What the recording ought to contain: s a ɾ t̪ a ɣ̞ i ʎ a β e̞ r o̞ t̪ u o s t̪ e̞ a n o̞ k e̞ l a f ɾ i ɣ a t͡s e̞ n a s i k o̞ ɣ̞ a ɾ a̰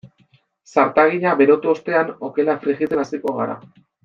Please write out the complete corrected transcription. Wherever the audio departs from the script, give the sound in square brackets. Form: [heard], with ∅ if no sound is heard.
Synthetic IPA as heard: s a ɾ t̪ a ɣ̞ i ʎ a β e̞ [ɾ] o̞ t̪ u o s t̪ e̞ a n o̞ k e̞ l a f ɾ i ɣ [i] t͡s e̞ n a s i k o̞ ɣ̞ a ɾ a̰